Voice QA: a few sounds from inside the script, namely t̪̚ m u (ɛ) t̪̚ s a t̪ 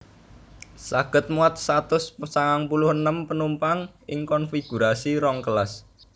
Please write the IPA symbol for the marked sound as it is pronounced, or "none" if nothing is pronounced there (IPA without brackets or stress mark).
a